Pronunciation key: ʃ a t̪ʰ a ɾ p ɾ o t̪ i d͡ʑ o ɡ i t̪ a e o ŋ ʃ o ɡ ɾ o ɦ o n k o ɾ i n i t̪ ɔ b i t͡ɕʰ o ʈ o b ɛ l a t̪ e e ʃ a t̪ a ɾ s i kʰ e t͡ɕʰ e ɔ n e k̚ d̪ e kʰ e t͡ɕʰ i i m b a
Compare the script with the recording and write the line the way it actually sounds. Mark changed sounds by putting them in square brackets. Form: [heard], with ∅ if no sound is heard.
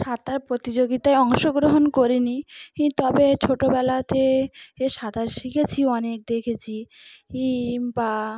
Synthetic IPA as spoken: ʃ a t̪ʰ a ɾ p ɾ o t̪ i d͡ʑ o ɡ i t̪ a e [ɔ] ŋ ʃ o ɡ ɾ o ɦ o n k o ɾ i n i t̪ ɔ b [e] t͡ɕʰ o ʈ o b ɛ l a t̪ e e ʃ a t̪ a ɾ [ʃ] i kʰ e t͡ɕʰ [i] ɔ n e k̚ d̪ e kʰ e t͡ɕʰ i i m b a